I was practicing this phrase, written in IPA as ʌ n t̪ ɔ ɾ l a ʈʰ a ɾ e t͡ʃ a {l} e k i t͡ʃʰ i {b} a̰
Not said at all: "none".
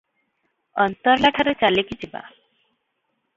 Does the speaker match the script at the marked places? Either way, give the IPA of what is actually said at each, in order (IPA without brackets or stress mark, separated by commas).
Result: l, b